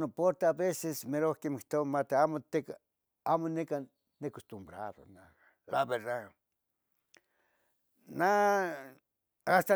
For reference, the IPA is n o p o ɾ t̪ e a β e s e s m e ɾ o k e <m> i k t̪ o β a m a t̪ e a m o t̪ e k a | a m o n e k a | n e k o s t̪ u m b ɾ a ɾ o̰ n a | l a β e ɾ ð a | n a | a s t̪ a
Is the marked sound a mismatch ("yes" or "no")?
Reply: no